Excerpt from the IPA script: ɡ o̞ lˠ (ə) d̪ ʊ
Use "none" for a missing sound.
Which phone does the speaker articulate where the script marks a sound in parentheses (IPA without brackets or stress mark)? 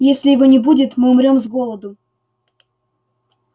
ə